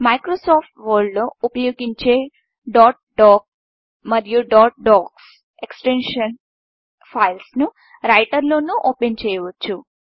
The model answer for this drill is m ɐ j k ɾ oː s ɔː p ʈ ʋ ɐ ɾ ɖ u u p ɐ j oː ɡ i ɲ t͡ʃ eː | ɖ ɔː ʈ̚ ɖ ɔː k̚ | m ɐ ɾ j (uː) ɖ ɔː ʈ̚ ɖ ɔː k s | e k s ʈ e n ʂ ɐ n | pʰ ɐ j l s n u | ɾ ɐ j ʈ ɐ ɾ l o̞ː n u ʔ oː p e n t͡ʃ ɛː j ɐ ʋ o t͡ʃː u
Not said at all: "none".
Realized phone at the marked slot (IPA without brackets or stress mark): u